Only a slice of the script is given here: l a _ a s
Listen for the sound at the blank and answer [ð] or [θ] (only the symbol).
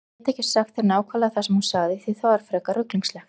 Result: θ